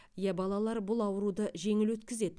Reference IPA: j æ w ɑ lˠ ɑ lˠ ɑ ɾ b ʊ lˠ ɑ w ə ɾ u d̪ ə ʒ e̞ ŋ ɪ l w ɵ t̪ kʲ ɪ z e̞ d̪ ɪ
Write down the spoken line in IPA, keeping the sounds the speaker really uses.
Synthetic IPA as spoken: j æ b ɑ lˠ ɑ lˠ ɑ ɾ b ʊ lˠ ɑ w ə ɾ u d̪ ə ʒ e̞ ŋ ɪ l w ɵ t̪ kʲ ɪ z e̞ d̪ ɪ